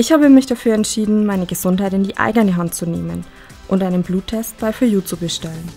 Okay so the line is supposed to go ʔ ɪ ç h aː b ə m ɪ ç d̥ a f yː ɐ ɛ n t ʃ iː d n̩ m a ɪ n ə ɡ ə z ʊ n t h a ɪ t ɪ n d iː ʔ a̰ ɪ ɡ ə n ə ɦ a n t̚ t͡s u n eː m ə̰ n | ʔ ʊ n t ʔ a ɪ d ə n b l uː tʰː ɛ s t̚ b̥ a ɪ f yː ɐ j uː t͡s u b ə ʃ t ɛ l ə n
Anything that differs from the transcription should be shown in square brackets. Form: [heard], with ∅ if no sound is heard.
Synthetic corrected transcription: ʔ ɪ ç h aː b ə m ɪ ç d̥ a f yː ɐ ɛ n t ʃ iː d n̩ m a ɪ n ə ɡ ə z ʊ n t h a ɪ t ɪ n d iː ʔ a̰ ɪ ɡ ə n ə ɦ a n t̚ t͡s u n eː m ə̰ n | ʔ ʊ n t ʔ a ɪ [n] ə n b l uː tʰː ɛ s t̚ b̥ a ɪ f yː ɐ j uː t͡s u b ə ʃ t ɛ l ə n